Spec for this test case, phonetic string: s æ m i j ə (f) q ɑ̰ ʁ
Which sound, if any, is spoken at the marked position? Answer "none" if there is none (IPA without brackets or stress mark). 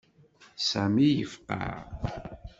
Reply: f